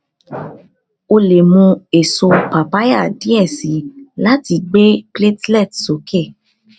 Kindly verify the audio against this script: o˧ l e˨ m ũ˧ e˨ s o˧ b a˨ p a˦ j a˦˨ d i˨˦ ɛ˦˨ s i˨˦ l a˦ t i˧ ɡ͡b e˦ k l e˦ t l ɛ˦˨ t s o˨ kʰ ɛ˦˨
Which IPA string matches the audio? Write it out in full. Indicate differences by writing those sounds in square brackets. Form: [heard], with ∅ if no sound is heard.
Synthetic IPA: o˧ l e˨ m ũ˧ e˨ s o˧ [p] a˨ p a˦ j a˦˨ d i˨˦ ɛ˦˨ s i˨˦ l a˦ t i˧ ɡ͡b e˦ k l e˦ t l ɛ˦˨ t s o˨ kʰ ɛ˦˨